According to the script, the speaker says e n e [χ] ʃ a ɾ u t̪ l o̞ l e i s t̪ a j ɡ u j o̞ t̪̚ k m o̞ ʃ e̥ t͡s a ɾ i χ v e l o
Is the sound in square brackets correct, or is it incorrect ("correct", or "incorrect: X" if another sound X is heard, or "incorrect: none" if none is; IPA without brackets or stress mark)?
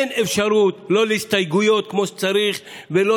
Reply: incorrect: f